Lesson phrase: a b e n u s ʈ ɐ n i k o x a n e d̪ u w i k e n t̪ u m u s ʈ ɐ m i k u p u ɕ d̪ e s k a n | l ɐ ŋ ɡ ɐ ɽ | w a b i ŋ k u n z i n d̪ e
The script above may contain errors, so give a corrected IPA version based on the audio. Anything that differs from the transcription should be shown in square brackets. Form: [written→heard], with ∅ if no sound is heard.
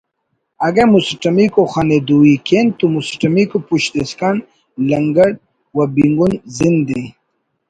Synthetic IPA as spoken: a [b→ɡ] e [n→m] u s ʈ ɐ [n→m] i k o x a n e d̪ u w i k e n t̪ u m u s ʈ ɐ m i k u p u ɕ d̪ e s k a n | l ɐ ŋ ɡ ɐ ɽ | w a b i ŋ [k→ɡ] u n z i n d̪ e